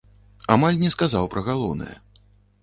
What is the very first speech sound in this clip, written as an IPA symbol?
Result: a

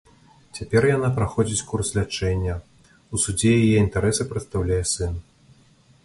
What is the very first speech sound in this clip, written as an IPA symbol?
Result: t͡sʲ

